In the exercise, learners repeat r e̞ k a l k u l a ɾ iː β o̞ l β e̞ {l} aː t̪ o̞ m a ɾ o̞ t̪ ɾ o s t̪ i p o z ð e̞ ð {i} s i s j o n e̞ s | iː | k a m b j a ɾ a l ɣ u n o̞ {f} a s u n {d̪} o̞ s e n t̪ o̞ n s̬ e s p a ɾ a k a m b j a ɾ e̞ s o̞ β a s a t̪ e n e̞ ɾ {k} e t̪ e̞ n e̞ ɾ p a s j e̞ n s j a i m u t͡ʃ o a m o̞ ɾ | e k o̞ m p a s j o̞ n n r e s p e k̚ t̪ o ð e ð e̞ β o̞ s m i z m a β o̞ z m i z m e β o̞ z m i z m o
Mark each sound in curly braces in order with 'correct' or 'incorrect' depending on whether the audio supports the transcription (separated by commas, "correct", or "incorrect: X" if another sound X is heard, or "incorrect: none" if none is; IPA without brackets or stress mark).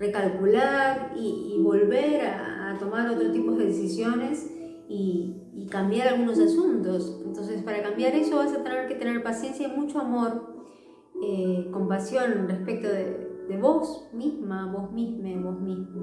incorrect: ɾ, incorrect: e, incorrect: s, incorrect: t̪, correct